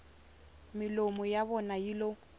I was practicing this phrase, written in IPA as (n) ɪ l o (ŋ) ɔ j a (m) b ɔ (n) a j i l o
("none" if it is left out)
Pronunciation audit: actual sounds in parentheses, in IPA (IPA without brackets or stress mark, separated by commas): m, m, none, n